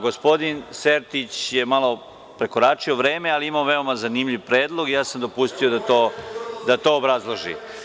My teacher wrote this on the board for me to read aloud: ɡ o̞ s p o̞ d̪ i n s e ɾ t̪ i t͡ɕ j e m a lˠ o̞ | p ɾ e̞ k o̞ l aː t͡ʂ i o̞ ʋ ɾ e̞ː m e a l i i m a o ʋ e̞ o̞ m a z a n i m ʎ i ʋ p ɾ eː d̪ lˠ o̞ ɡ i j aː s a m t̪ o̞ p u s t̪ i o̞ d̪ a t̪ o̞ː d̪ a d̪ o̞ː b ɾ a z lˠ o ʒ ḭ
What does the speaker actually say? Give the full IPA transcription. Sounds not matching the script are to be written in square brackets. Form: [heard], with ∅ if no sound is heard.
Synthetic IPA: ɡ o̞ s p o̞ d̪ i n s e ɾ t̪ i t͡ɕ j e m a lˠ o̞ | p ɾ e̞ k o̞ [ɾ] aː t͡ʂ i o̞ ʋ ɾ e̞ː m e a l i i m a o ʋ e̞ o̞ m a z a n i m ʎ i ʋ p ɾ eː d̪ lˠ o̞ ɡ i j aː s a m [d̪] o̞ p u s t̪ i o̞ d̪ a t̪ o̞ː d̪ a [t̪] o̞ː b ɾ a z lˠ o ʒ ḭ